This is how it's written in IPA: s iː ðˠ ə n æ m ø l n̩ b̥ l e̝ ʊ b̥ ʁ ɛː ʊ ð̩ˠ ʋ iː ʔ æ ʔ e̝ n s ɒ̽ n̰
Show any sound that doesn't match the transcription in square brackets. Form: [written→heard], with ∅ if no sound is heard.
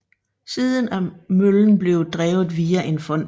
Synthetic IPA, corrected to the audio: s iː ðˠ ə n æ m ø l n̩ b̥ l e̝ ʊ [b̥→d̥] ʁ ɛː ʊ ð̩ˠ ʋ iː [ʔ→∅] æ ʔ e̝ n [s→f] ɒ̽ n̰

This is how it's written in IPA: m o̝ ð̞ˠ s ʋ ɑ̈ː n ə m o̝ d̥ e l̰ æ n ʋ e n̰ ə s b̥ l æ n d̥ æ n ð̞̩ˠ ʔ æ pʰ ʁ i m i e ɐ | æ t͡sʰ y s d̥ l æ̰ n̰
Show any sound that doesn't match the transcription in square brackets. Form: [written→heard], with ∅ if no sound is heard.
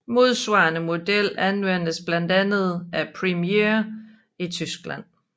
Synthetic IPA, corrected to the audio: m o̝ ð̞ˠ s ʋ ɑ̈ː n ə m o̝ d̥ e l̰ æ n ʋ e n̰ ə s b̥ l æ n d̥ æ n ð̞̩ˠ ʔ æ pʰ ʁ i m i e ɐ | [æ→i] t͡sʰ y s [d̥→ɡ̥] l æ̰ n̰

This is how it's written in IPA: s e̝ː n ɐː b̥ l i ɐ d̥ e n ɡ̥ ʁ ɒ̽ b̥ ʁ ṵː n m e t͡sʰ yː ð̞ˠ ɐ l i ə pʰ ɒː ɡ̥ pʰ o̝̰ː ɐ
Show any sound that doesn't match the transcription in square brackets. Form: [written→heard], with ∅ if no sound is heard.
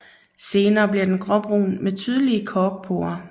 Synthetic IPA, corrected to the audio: s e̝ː n ɐː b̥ l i ɐ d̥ e n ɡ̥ ʁ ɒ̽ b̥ ʁ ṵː n m e t͡sʰ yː ð̞ˠ [ɐ→ə] l i ə [pʰ→kʰ] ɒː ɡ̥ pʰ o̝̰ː ɐ

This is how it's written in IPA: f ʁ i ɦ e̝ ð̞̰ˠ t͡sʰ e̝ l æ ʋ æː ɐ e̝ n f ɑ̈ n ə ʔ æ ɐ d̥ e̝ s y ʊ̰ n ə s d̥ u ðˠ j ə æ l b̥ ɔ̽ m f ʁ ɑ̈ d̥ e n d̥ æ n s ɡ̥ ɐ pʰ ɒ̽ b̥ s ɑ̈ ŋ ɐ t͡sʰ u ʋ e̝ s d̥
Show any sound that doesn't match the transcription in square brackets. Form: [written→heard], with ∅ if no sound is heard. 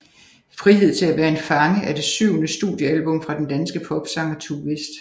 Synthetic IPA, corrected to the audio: f ʁ i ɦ e̝ ð̞̰ˠ t͡sʰ e̝ l æ ʋ æː ɐ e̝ n f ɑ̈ [n→ŋ] ə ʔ æ ɐ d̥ e̝ s y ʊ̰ n ə s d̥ u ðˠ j ə æ l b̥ ɔ̽ m f ʁ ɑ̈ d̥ e n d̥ æ n s ɡ̥ [ɐ→ə] pʰ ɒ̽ b̥ s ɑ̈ ŋ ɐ t͡sʰ u ʋ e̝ s d̥

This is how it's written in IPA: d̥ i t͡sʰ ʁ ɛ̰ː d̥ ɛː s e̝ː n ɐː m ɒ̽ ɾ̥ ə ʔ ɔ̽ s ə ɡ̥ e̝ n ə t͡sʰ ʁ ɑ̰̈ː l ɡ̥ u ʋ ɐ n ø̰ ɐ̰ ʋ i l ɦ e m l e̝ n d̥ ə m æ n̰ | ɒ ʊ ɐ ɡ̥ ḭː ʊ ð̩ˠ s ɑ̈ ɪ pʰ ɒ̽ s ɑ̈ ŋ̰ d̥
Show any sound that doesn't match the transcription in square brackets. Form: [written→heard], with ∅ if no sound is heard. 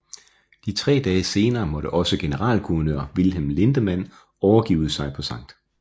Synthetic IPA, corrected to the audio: d̥ i t͡sʰ ʁ ɛ̰ː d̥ ɛː s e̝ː n ɐː m ɒ̽ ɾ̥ ə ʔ [ɔ̽→ɒ̽] s ə ɡ̥ e̝ n ə [t͡sʰ→∅] ʁ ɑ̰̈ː l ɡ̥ u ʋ ɐ n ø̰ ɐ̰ ʋ i l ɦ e m l e̝ n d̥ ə m æ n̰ | ɒ ʊ ɐ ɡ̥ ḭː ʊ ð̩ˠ s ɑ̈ ɪ pʰ ɒ̽ s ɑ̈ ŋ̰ d̥

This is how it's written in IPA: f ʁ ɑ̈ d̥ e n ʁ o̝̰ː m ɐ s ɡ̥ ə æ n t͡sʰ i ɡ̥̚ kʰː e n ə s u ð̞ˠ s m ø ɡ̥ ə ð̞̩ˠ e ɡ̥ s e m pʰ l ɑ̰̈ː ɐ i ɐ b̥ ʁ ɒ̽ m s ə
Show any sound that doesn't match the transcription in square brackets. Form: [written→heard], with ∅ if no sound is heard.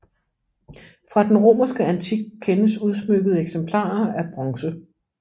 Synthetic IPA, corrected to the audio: f ʁ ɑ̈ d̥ e n ʁ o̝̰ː m ɐ s ɡ̥ ə æ n t͡sʰ i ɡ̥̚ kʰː e n ə s u ð̞ˠ s m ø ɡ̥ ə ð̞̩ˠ e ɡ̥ s e m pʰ l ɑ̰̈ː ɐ [i→æ] ɐ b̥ ʁ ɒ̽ [m→ŋ] s ə

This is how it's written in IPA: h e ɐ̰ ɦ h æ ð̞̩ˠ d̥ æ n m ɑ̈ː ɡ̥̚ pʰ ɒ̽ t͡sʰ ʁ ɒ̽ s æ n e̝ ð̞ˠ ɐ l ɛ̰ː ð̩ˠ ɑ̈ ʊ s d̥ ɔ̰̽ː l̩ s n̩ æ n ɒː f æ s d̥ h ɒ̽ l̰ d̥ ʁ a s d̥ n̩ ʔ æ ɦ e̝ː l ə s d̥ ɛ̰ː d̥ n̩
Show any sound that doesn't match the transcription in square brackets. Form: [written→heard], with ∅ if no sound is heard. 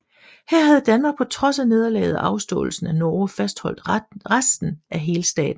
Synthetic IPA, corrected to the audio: h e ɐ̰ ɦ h æ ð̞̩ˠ d̥ æ n m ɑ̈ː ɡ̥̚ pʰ ɒ̽ t͡sʰ ʁ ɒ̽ s æ n e̝ ð̞ˠ ɐ l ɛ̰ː ð̩ˠ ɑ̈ ʊ s d̥ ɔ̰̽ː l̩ s n̩ æ n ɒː f æ s d̥ h ɒ̽ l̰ d̥ ʁ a s d̥ n̩ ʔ æ ɦ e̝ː l ə s d̥ ɛ̰ː d̥ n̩

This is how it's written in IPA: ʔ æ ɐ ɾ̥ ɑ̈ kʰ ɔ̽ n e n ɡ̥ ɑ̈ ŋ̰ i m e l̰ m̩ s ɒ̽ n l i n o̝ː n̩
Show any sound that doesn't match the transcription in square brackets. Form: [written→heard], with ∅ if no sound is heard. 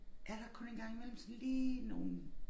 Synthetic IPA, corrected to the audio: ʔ æ ɐ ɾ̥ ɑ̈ kʰ ɔ̽ n e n ɡ̥ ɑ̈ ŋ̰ i m e l̰ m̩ s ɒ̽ n l [i→iː] n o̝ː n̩

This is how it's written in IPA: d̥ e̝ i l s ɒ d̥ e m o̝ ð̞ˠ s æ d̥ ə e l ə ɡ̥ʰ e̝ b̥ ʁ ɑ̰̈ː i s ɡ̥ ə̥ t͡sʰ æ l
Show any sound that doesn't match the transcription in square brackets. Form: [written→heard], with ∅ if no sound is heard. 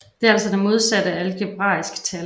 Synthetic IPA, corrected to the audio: d̥ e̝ [i→æ] l s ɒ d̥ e m o̝ ð̞ˠ s æ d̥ ə [e→æ] l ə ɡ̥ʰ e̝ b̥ ʁ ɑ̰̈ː i s ɡ̥ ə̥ t͡sʰ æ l

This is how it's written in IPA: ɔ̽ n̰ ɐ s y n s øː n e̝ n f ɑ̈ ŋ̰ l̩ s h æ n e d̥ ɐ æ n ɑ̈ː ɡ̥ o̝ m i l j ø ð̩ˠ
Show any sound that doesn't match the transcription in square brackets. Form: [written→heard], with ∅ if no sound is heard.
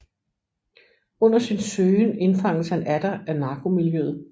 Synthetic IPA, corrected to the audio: ɔ̽ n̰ ɐ s [y→i] n s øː n e̝ n f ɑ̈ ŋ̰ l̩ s h æ n [e→æ] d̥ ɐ æ n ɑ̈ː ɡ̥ o̝ m i l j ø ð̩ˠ

